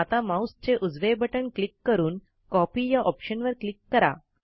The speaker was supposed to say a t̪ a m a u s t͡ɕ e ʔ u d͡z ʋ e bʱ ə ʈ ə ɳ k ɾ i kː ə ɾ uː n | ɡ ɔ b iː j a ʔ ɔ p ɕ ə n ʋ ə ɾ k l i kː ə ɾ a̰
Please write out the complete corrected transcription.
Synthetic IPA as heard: a t̪ a m a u s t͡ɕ e ʔ u d͡z ʋ e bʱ ə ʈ ə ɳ k l i kː ə ɾ uː n | k ɔ p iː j a ʔ ɔ p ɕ ə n ʋ ə ɾ k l i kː ə ɾ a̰